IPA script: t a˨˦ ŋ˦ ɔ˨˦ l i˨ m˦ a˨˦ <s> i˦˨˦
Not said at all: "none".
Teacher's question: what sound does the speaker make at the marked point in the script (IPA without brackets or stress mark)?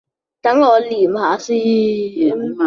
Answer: s